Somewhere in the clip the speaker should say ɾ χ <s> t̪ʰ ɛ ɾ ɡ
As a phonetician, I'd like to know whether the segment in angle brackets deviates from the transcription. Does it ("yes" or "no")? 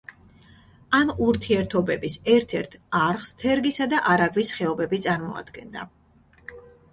no